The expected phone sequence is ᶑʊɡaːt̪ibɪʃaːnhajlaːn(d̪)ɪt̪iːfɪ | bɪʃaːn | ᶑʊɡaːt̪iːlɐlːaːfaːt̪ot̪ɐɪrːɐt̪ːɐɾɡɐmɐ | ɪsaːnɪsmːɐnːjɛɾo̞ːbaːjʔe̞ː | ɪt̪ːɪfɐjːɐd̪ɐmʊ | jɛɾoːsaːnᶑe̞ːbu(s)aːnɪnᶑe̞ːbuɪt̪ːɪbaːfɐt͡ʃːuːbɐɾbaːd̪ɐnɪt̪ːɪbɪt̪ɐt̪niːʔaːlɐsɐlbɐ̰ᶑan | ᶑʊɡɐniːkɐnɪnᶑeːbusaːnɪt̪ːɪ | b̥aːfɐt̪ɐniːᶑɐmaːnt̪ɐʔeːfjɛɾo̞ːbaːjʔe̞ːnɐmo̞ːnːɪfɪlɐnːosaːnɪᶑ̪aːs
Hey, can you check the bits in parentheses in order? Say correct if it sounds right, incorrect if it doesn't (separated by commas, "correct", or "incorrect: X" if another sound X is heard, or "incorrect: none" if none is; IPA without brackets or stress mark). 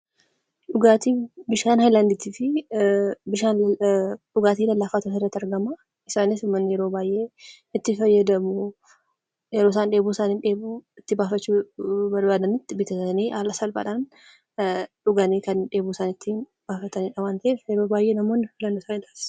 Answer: correct, correct